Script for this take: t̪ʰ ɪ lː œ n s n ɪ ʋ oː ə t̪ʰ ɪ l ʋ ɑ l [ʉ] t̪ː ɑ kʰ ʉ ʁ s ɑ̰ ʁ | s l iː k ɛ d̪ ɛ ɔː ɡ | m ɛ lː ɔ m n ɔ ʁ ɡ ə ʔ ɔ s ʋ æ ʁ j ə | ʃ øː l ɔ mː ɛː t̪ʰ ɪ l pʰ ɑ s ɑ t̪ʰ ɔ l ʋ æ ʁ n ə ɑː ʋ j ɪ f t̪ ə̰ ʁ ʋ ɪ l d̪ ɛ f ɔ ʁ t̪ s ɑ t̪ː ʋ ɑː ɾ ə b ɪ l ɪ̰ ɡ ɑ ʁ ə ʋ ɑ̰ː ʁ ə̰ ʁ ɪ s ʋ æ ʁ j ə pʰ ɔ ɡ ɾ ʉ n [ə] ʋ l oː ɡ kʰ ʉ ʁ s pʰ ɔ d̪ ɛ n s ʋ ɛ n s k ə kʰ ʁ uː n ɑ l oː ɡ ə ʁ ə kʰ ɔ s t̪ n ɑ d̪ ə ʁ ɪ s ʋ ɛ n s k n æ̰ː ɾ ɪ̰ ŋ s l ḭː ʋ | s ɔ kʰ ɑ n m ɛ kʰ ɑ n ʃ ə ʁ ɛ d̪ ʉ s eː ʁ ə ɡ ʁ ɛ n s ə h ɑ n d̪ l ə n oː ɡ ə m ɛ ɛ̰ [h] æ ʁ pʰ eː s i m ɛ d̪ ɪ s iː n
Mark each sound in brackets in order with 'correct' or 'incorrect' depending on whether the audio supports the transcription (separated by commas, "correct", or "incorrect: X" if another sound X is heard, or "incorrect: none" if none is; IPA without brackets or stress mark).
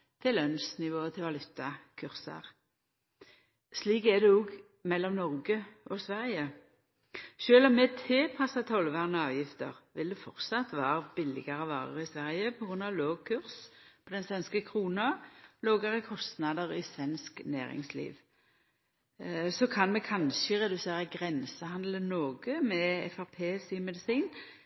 correct, incorrect: ɑ, incorrect: f